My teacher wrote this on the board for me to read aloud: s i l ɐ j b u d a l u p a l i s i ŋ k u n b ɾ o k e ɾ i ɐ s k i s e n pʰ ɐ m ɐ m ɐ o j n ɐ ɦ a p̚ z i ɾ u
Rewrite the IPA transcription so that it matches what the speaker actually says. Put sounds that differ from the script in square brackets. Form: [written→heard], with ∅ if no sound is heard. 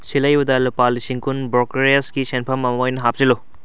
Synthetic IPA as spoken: s i l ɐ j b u d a l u p a l i s i ŋ k u n b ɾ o k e ɾ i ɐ s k i s e n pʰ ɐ m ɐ m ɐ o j n ɐ ɦ a p̚ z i [ɾ→l] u

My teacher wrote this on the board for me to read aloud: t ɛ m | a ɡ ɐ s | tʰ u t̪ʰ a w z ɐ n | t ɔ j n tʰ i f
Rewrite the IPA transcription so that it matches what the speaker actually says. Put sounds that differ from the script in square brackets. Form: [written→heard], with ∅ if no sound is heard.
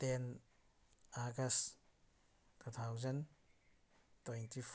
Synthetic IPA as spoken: t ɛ [m→n] | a ɡ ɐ s | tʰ u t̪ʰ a w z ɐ n | t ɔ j n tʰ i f

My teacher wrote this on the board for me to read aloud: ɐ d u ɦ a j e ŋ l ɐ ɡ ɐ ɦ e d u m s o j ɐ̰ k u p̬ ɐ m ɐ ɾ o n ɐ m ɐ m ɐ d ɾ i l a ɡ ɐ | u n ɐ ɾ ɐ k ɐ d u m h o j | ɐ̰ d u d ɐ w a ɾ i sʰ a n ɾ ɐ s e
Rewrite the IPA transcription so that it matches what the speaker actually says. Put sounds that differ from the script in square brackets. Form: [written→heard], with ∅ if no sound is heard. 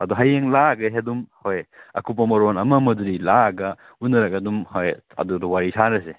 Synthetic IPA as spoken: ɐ d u ɦ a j e ŋ l [ɐ→a] ɡ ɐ ɦ e d u m [s→h] o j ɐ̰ k u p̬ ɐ m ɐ ɾ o n ɐ m ɐ m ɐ d ɾ i l a ɡ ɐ | u n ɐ ɾ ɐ k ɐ d u m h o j | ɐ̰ d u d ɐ w a ɾ i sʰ a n ɾ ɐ s e

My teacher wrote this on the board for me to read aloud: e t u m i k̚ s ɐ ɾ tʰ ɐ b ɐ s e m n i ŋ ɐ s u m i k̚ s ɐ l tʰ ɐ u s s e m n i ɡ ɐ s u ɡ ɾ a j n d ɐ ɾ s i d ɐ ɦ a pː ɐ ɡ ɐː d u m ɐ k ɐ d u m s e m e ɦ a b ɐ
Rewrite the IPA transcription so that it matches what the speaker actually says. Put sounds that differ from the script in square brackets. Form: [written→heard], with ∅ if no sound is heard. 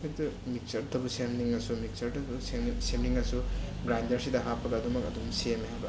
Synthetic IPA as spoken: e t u m i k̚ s ɐ ɾ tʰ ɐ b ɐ s e m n i ŋ ɐ s u m i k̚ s ɐ [l→ɾ] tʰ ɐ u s s e m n i [ɡ→ŋ] ɐ s u ɡ ɾ a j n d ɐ ɾ s i d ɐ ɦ a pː ɐ ɡ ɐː d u m ɐ k ɐ d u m s e m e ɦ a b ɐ

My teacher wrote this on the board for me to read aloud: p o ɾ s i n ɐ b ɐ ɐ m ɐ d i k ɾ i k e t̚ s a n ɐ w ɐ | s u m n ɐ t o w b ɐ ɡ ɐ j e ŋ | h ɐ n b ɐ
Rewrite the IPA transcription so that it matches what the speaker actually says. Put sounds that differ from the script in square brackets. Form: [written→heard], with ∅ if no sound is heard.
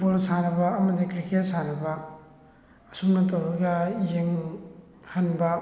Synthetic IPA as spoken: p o [ɾ→l] s [i→a] n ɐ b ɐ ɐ m ɐ d i k ɾ i k e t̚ s a n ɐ [w→b] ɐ | s u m n ɐ t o w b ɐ ɡ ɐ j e ŋ | h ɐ n b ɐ

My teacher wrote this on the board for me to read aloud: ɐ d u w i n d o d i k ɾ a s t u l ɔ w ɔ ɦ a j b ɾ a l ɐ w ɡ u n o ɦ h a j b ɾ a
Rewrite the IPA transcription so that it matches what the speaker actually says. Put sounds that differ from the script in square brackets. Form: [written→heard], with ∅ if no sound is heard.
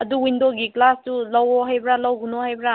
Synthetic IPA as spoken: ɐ d u w i n d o [d→ɡ] i k [ɾ→l] a s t u l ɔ w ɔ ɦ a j b ɾ a l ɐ w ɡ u n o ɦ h a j b ɾ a

